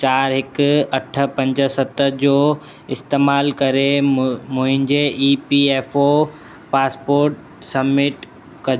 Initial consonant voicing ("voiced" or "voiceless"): voiceless